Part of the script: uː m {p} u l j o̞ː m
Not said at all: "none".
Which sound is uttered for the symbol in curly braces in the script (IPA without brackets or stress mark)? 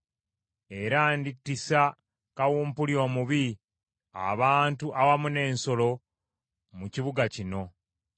p